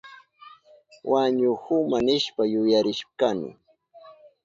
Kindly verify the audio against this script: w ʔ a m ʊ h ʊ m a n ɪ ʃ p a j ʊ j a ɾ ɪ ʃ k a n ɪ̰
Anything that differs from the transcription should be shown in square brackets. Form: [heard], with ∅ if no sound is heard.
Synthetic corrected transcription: w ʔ a [ɲ] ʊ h ʊ m a n ɪ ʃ p a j ʊ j a ɾ ɪ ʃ k a n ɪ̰

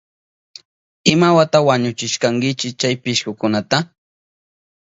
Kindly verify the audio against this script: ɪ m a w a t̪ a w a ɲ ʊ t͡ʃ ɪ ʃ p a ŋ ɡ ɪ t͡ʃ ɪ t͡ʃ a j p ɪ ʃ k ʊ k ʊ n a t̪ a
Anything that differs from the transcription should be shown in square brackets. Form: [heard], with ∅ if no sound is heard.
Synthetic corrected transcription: ɪ m a w a t̪ a w a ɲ ʊ t͡ʃ ɪ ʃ [k] a ŋ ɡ ɪ t͡ʃ ɪ t͡ʃ a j p ɪ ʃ k ʊ k ʊ n a t̪ a

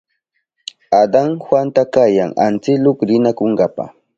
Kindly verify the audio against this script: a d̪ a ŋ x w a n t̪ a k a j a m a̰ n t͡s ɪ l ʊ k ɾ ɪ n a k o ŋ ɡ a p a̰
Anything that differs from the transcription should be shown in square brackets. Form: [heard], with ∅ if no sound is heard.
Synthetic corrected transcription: a d̪ a ŋ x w a n t̪ a k a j a [ŋ] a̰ n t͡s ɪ l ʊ k ɾ ɪ n a k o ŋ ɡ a p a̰

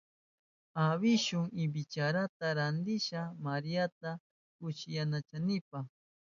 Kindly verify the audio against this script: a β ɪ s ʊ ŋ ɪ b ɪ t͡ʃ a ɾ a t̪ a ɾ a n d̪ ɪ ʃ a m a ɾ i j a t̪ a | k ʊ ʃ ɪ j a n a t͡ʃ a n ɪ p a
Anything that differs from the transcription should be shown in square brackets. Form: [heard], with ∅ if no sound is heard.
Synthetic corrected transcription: a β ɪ [ʃ] ʊ ŋ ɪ b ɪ t͡ʃ a ɾ a t̪ a ɾ a n d̪ ɪ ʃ a m a ɾ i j a t̪ a | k ʊ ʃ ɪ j a n a t͡ʃ a n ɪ p a

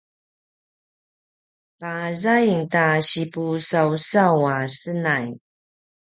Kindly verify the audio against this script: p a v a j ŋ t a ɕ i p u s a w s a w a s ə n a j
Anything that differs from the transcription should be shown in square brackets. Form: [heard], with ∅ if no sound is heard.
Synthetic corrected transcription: p a [z] a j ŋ t a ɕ i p u s a w s a w a s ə n a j

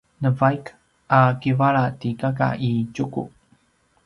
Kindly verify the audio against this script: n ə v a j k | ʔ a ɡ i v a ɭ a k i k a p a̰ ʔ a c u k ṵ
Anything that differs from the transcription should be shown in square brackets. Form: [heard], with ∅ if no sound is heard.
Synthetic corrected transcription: n ə v a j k | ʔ a [k] i v a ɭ a [t] i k a [k] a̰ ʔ [i] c u k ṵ

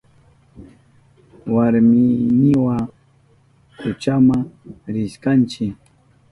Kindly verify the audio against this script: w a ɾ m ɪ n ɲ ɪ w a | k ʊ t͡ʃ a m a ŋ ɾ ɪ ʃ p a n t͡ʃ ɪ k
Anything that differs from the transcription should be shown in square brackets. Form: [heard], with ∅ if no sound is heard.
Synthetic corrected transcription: w a ɾ m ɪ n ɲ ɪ w a | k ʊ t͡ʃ a m a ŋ ɾ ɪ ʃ [k] a n t͡ʃ ɪ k

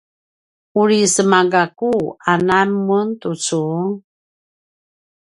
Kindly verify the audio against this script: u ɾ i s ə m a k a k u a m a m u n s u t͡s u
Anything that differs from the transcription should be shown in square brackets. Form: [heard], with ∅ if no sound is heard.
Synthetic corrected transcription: u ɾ i s ə m a [ɡ] a k u a [n] a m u n [t] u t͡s u

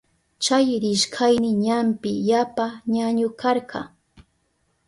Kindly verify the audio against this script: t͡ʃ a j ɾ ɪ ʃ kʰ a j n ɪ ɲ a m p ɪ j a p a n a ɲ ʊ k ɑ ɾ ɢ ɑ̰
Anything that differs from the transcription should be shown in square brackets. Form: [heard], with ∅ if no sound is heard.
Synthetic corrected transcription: t͡ʃ a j ɾ ɪ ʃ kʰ a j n ɪ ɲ a m p ɪ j a p a [ɲ] a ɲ ʊ k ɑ ɾ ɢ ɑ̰

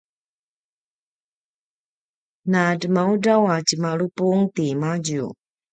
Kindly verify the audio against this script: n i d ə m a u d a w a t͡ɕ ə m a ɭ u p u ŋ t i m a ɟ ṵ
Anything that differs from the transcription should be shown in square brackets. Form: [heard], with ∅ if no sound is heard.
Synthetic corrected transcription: n [a] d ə m a u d a w a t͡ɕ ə m a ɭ u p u ŋ t i m a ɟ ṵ

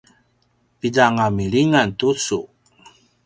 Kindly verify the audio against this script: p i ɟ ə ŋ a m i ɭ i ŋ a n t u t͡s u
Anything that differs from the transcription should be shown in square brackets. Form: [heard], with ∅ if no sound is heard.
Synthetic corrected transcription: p i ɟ [a] ŋ a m i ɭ i ŋ a n t u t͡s u

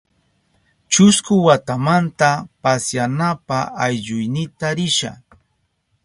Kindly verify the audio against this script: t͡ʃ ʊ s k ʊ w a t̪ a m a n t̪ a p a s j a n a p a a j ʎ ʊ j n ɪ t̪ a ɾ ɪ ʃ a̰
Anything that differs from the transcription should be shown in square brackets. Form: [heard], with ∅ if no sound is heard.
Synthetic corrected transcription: t͡ʃ ʊ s k ʊ w a t̪ a m a n t̪ a p a s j a n a p a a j ʎ ʊ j n ɪ t̪ a ɾ ɪ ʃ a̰

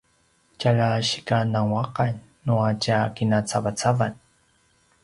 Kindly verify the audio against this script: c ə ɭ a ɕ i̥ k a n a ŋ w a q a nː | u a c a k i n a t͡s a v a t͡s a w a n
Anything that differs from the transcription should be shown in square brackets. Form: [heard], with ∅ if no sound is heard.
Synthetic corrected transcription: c [a] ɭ a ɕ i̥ k a n a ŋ w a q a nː | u a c a k i n a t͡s a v a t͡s a [v] a n

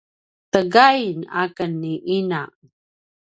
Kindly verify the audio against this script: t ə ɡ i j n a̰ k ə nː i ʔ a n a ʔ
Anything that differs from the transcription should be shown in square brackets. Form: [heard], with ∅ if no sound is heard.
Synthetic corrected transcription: t ə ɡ [a] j n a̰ k ə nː i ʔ [i] n a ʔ

